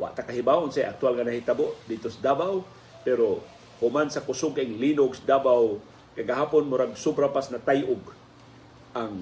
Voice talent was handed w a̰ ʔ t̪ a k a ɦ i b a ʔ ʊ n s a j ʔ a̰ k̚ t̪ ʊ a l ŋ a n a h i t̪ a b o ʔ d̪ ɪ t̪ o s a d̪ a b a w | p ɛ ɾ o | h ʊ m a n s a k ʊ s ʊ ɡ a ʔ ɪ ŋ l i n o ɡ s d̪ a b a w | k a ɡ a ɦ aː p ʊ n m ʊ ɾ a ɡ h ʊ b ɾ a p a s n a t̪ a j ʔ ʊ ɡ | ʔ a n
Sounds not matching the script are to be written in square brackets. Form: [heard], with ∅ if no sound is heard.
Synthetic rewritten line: w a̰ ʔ t̪ a k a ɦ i b a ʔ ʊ n s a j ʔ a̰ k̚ t̪ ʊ a l ŋ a n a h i t̪ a b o ʔ d̪ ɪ t̪ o s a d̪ a b a w | p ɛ ɾ o | h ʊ m a n s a k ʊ s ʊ ɡ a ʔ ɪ ŋ l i n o ɡ s d̪ a b a w | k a ɡ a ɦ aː p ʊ n m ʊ ɾ a ɡ [s] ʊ b ɾ a p a s n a t̪ a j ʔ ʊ ɡ | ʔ a [ŋ]